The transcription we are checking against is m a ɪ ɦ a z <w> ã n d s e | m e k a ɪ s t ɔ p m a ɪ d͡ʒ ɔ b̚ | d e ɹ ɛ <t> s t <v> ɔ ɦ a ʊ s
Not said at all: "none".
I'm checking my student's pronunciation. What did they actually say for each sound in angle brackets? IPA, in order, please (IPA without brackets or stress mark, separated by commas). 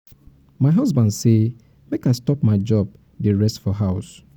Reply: b, none, f